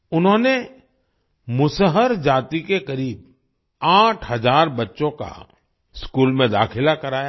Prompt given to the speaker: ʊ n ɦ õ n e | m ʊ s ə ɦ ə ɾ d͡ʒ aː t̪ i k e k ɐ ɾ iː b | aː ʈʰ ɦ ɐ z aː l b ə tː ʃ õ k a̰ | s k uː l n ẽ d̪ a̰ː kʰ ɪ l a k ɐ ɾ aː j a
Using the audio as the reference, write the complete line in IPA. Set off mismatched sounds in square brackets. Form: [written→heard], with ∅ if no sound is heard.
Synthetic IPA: ʊ n ɦ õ n e | m ʊ s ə ɦ ə ɾ d͡ʒ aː t̪ i k e k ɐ ɾ iː b | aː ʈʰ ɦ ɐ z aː [l→ɾ] b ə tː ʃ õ k a̰ | s k uː l [n→m] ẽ d̪ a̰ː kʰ ɪ l a k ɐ ɾ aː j a